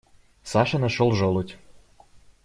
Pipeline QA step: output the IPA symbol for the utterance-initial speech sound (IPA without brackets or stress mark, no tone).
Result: s